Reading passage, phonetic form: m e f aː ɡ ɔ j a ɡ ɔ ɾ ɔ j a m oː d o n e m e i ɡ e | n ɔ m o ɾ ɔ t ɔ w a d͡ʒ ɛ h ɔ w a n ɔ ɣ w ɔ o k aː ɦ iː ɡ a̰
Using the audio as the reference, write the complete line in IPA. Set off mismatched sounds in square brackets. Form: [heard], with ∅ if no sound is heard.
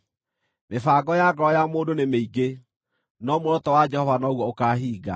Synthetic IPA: m e f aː ɡ ɔ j a ɡ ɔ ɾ ɔ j a m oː d o n e m e i ɡ e | n ɔ m o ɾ ɔ t ɔ w a d͡ʒ ɛ h ɔ [v] a n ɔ ɣ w ɔ o k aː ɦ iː ɡ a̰